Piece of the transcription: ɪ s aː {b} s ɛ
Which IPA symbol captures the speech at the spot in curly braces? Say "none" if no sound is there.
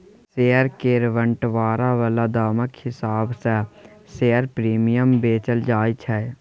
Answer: b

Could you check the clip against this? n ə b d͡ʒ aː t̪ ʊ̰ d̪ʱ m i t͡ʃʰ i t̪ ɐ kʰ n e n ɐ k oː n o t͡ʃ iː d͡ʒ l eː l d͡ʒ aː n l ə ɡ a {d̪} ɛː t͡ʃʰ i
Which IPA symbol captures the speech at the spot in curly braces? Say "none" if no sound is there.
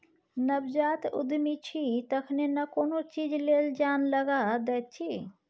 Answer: d̪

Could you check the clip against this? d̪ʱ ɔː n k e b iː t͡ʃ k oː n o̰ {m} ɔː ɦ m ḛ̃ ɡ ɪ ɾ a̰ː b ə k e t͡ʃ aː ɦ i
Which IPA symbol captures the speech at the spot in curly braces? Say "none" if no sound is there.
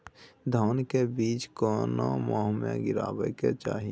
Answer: m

